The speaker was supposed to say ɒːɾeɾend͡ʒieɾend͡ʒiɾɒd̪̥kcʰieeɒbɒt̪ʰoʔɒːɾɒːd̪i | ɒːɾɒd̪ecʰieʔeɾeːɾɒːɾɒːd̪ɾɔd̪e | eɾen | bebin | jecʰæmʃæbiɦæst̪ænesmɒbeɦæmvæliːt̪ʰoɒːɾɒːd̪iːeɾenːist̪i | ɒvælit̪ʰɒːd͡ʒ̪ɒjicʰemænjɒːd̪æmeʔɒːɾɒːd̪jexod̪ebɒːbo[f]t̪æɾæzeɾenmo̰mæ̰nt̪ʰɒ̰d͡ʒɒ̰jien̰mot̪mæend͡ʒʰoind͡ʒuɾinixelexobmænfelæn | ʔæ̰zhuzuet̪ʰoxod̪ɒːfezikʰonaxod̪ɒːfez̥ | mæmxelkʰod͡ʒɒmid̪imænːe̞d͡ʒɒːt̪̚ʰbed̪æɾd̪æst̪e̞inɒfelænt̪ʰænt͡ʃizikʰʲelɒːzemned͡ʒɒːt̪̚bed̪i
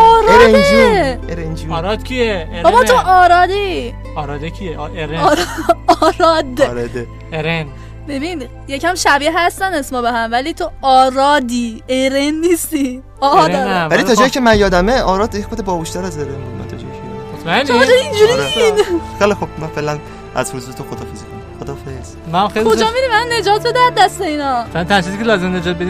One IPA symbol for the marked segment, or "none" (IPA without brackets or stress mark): ʃ